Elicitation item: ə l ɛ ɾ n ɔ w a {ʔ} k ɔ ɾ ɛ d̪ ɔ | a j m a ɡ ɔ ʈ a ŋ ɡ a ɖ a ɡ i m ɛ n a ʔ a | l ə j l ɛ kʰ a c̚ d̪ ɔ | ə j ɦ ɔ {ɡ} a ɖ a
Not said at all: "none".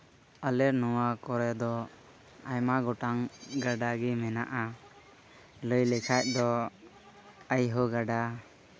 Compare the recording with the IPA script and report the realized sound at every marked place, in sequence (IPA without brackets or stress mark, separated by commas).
none, ɡ